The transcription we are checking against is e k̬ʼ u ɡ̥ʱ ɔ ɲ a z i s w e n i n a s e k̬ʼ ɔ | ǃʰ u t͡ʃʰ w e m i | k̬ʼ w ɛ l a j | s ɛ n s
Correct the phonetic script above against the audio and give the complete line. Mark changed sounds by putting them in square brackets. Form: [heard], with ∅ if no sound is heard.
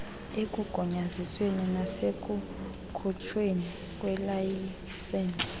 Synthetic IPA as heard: e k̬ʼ u ɡ̥ʱ ɔ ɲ a z i s w e n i n a s e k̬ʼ [u] | [kʰ] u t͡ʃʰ w e [n] i | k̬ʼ w ɛ l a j | s ɛ n s